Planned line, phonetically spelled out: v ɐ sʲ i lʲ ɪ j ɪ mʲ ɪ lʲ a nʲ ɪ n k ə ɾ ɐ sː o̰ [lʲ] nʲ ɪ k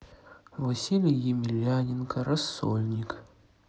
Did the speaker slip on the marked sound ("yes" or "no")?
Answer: no